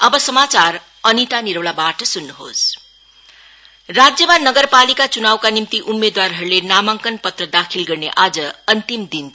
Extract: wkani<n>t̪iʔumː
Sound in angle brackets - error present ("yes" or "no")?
yes